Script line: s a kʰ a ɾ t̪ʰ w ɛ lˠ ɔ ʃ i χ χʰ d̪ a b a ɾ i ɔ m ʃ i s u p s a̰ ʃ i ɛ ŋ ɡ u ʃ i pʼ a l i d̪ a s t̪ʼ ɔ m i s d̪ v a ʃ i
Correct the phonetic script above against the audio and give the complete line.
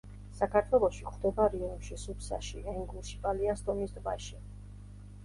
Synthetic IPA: s a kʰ a ɾ t̪ʰ w ɛ lˠ ɔ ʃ i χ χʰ d̪ ɛ b a ɾ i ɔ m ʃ i s u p s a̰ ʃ i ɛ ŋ ɡ u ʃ i pʼ a l i a s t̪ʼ ɔ m i s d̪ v a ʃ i